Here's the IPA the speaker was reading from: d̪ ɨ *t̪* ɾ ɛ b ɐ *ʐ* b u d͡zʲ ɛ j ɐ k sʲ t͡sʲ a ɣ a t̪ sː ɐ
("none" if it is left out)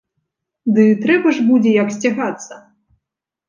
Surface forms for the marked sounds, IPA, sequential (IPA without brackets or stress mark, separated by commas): t̪, ʐ